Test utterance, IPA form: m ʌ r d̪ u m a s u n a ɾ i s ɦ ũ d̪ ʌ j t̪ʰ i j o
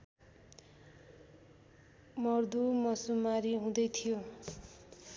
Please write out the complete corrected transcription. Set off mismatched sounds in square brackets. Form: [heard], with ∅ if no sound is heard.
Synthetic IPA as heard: m ʌ r d̪ u m [ʌ] s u [m] a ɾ i [∅] ɦ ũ d̪ ʌ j t̪ʰ i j o